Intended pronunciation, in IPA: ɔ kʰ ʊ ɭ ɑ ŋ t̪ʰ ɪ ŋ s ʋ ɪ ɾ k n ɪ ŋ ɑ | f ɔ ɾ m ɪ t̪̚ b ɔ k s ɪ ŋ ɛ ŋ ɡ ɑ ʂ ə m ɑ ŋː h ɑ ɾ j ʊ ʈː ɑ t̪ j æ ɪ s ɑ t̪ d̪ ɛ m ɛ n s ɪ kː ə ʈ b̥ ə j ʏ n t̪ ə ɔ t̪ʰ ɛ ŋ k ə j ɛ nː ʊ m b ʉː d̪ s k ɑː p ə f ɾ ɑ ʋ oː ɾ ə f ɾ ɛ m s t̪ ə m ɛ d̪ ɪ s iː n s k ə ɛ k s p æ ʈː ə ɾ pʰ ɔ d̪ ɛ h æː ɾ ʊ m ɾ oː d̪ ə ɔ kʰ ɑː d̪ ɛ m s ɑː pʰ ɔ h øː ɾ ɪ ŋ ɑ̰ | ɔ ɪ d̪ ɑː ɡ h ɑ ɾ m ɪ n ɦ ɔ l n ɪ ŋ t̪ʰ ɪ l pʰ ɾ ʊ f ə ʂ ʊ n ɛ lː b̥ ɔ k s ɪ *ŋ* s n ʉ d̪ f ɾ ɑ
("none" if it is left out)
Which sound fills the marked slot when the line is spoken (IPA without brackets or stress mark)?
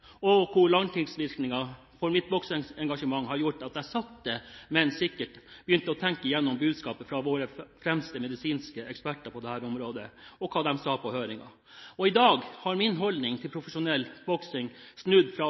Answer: ŋ